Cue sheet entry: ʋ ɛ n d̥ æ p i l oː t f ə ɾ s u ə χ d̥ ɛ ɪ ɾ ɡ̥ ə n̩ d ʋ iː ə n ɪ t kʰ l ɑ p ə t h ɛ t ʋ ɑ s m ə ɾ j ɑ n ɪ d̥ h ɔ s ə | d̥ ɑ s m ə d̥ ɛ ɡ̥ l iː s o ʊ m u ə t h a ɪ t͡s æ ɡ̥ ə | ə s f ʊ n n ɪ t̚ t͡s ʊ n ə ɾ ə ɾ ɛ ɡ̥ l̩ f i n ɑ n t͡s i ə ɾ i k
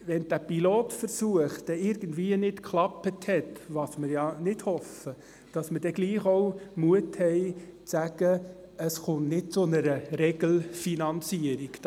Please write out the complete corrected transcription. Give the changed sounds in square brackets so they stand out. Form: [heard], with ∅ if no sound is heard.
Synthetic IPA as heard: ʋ ɛ n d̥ æ p i l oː t f ə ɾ s u ə χ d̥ ɛ ɪ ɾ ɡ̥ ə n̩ d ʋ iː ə n ɪ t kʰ l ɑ p ə t h ɛ t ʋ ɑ s m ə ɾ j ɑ n ɪ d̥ h ɔ [f] ə | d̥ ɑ s m ə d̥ ɛ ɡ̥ l iː [χ] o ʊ m u ə t h [ɛ] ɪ t͡s æ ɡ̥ ə | ə s [χ] ʊ n n ɪ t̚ t͡s ʊ n ə ɾ ə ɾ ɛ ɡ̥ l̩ f i n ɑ n t͡s i ə ɾ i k

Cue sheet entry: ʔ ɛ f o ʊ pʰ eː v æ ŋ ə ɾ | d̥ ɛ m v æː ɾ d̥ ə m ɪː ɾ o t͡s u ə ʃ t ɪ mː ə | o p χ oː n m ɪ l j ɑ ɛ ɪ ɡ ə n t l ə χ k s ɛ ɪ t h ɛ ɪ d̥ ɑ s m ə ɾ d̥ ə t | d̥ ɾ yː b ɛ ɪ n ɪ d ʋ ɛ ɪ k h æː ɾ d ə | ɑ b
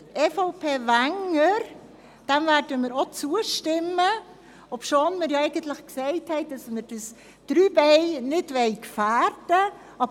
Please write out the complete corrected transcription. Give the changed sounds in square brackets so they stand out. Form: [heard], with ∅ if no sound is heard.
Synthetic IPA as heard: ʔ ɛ f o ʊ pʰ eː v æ ŋ ə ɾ | d̥ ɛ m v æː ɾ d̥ ə m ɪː ɾ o t͡s u ə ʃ t ɪ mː ə | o p [ʃ] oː n m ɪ [ɾ] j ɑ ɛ ɪ ɡ ə n t l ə χ k s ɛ ɪ t h ɛ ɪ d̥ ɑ s m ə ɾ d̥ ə [s] | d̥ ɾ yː b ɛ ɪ n ɪ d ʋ ɛ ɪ k [f] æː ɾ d ə | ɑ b

